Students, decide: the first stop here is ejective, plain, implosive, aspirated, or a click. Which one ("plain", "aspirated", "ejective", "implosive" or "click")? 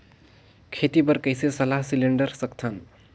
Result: aspirated